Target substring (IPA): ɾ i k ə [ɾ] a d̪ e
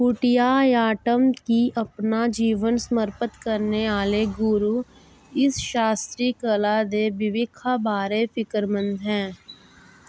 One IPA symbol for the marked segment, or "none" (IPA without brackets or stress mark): l